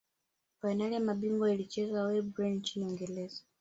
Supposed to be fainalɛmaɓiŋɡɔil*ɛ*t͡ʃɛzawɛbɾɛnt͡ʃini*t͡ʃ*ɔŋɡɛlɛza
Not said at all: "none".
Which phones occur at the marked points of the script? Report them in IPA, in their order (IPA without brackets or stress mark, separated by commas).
i, none